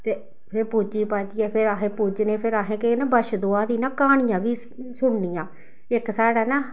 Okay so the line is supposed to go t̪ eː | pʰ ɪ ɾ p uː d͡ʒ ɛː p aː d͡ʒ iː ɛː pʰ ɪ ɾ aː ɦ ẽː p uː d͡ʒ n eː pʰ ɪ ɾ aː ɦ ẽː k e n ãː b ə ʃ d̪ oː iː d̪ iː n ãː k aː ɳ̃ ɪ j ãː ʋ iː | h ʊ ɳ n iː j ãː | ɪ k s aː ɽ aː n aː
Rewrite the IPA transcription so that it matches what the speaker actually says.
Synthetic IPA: t̪ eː | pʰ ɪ ɾ p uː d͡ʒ iː p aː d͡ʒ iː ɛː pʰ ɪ ɾ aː ɦ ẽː p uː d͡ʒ n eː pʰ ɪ ɾ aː ɦ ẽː k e n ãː b ə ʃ d̪ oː aː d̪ iː n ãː k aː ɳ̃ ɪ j ãː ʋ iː | s ʊ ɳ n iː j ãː | ɪ k s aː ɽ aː n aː